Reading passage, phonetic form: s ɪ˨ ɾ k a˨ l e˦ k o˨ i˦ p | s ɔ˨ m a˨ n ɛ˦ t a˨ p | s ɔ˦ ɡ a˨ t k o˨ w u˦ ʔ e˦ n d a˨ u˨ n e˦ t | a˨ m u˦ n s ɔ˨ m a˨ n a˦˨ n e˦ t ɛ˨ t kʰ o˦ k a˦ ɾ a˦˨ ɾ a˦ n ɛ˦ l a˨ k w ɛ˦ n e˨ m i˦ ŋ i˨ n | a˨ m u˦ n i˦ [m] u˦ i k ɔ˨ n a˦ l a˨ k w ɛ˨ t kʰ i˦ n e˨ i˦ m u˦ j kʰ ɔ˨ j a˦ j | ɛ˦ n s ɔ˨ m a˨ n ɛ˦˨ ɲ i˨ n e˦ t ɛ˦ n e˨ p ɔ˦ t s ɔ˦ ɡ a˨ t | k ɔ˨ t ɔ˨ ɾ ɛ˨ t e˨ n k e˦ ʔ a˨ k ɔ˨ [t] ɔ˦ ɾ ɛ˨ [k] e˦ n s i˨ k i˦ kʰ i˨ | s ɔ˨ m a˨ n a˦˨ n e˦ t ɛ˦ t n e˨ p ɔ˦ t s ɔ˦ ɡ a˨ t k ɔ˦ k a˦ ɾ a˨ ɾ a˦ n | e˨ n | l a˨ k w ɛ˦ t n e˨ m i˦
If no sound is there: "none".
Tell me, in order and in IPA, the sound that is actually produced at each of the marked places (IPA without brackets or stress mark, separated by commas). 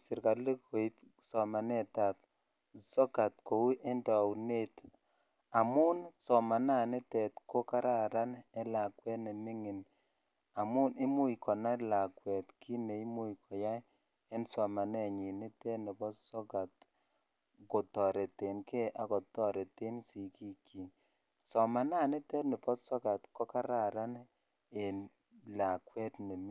m, t, t